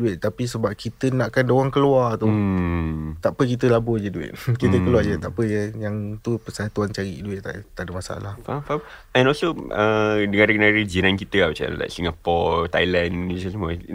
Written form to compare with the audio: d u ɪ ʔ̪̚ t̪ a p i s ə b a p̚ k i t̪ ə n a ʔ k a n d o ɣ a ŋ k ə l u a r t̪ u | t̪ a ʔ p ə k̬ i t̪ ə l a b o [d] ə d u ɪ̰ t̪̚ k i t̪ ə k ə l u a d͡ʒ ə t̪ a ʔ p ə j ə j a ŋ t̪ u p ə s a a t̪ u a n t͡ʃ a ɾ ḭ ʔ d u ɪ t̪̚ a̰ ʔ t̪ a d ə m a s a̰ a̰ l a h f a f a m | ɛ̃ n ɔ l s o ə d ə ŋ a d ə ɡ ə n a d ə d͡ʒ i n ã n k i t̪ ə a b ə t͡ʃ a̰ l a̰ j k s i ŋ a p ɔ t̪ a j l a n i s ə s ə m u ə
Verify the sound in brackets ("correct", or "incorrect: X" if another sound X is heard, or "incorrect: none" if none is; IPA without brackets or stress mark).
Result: incorrect: d͡ʒ